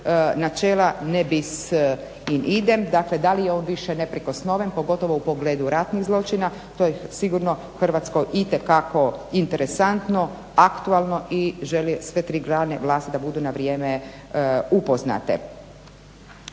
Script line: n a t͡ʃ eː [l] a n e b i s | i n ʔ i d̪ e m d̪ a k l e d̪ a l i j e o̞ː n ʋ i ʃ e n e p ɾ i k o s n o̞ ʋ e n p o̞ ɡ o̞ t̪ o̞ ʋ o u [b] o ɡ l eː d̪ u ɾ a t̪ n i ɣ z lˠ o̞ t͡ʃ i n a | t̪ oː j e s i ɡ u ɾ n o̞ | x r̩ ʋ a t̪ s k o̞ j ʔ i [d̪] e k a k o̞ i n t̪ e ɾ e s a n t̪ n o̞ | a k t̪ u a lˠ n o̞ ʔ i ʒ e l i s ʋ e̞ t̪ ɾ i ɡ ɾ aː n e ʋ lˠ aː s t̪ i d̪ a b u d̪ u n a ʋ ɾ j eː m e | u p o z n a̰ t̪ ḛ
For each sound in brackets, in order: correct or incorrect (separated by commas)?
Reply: correct, incorrect, incorrect